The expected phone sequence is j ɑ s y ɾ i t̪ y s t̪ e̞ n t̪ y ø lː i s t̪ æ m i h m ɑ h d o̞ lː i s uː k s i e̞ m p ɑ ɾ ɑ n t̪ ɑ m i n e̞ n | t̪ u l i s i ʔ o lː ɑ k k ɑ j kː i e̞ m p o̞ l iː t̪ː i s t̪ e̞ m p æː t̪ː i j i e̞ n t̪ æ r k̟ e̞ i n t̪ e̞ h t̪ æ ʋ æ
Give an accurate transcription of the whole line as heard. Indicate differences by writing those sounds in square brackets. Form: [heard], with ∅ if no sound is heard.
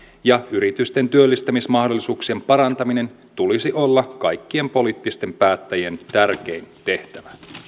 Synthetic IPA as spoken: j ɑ [∅] y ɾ i t̪ y s t̪ e̞ n t̪ y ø lː i s t̪ æ m i [s] m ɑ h d o̞ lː i s uː k s i e̞ m p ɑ ɾ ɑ n t̪ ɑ m i n e̞ n | t̪ u l i s i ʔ o lː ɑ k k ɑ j kː i e̞ m p o̞ l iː t̪ː i s t̪ e̞ m p æː t̪ː [æ] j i e̞ n t̪ æ r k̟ e̞ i n t̪ e̞ h t̪ æ ʋ æ